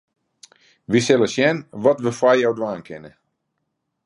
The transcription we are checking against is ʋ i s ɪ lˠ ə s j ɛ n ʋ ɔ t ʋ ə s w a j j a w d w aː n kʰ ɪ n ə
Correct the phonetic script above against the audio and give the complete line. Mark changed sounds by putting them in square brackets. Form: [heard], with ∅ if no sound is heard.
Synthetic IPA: ʋ i s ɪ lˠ ə s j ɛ n ʋ ɔ t ʋ ə [f] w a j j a w d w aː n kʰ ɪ n ə

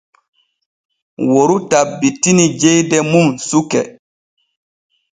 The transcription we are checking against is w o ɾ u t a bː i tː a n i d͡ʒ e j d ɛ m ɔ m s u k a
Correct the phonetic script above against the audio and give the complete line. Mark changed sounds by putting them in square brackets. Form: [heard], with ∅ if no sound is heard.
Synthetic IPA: w o ɾ u t a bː i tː [i] n i d͡ʒ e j d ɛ m [u] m s u k [ɛ]

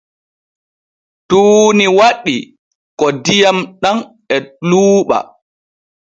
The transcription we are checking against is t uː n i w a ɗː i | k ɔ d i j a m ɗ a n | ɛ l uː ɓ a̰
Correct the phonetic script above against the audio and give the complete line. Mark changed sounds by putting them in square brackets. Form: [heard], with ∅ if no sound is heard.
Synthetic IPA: t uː n i w a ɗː i | k ɔ d i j a m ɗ a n | ɛ l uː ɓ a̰

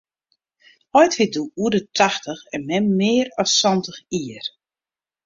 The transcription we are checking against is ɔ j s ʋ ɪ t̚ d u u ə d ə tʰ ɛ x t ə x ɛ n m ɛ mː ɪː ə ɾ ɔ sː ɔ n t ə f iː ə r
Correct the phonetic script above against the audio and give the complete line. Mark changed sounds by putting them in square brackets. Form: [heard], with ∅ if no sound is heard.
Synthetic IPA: ɔ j [t] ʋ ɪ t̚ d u u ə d ə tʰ [a] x t ə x ɛ n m ɛ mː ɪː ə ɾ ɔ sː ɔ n t ə [x] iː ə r

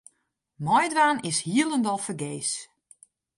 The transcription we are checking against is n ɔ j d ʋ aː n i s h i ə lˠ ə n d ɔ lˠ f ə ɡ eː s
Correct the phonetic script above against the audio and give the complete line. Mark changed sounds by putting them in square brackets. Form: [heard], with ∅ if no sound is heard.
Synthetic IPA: [m] ɔ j d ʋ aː n [ɪ] s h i ə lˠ ə n d ɔ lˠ f ə ɡ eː s

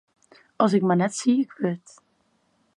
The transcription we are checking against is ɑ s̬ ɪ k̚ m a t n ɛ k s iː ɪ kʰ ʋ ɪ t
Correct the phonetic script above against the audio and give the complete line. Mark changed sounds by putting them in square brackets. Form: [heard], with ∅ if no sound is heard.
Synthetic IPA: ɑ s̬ ɪ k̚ m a [∅] n ɛ [t] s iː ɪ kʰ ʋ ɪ t

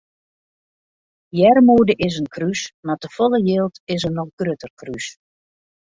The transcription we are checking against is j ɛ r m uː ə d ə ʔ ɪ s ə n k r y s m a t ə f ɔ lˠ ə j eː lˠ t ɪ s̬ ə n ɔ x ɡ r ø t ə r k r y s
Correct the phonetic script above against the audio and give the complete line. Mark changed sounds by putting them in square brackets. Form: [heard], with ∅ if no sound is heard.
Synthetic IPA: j ɛ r m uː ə d ə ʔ ɪ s ə n k r y s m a t ə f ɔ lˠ ə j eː lˠ t ɪ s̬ ə n ɔ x ɡ r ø t ə r k r y s

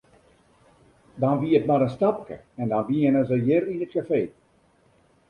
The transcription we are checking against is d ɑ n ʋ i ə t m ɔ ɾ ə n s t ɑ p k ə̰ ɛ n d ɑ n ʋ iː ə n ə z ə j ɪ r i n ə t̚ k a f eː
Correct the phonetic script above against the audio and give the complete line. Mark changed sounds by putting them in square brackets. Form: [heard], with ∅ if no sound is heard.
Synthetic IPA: d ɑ n ʋ i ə t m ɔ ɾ ə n s t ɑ p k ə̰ ɛ n d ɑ n ʋ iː ə n ə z ə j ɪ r i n ə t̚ k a f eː

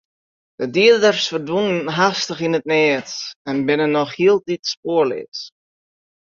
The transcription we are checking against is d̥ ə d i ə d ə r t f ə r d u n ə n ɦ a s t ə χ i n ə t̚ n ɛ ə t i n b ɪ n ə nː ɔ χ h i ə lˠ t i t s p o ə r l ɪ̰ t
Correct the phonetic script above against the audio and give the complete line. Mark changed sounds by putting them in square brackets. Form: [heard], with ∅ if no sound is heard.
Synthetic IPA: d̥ ə d i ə d ə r [s] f ə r d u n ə n ɦ a s t ə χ i n ə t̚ n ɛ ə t [ɛ] n b ɪ n ə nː ɔ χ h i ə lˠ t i t s p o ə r l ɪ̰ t

